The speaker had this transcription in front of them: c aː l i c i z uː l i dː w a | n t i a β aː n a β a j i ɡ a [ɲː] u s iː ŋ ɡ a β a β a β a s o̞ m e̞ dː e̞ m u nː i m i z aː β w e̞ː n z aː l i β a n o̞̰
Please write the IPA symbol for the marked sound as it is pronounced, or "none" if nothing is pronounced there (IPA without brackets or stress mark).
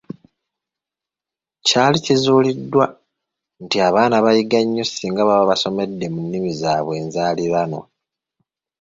ɲː